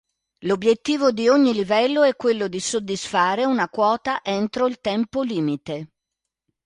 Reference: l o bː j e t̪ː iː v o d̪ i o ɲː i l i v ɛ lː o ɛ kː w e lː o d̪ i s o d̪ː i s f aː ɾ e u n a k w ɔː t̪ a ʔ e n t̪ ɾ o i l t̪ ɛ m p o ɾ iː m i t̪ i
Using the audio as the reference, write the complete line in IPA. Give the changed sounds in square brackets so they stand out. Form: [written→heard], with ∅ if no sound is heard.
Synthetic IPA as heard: l o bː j e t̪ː iː v o d̪ i o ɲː i l i v ɛ lː o ɛ kː w e lː o d̪ i s o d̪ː i s f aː ɾ e u n a k w ɔː t̪ a ʔ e n t̪ ɾ o i l t̪ ɛ m p o [ɾ→l] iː m i t̪ [i→e]